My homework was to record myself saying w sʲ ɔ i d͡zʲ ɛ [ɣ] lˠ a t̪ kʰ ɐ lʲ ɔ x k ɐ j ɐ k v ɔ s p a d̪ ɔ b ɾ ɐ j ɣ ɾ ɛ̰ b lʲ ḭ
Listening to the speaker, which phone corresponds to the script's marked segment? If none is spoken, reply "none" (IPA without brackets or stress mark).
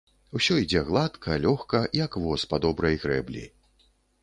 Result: ɣ